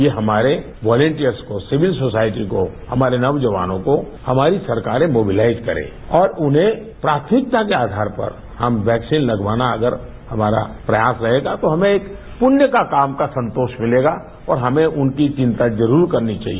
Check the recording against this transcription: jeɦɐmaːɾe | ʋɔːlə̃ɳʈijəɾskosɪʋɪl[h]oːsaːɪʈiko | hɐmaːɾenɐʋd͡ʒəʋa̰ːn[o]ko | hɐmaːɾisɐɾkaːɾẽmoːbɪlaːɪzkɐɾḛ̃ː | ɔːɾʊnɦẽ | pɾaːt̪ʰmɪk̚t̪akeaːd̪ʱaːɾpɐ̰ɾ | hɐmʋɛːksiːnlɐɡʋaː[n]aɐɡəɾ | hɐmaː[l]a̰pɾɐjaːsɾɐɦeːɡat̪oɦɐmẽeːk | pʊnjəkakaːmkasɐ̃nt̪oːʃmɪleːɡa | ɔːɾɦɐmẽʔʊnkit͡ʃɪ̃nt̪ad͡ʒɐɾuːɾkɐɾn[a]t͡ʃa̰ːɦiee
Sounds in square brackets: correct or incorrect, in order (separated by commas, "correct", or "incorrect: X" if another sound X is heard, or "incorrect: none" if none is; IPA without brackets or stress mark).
incorrect: s, incorrect: õ, correct, incorrect: ɾ, incorrect: i